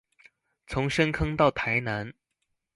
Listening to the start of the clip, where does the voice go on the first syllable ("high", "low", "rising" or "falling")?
rising